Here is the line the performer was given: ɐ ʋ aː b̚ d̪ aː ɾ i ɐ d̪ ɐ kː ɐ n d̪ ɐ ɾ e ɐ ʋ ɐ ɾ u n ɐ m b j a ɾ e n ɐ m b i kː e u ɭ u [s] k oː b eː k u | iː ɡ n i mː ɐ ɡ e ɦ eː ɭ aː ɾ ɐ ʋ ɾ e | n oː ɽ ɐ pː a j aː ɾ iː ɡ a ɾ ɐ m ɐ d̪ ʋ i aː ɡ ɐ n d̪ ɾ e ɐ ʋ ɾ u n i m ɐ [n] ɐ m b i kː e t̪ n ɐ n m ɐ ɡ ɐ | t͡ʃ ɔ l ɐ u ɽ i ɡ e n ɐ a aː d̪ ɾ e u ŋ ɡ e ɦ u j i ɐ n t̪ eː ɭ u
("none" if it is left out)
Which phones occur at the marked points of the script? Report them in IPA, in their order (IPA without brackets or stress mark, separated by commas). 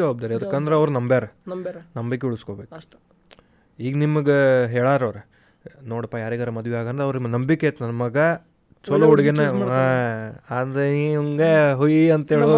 s, n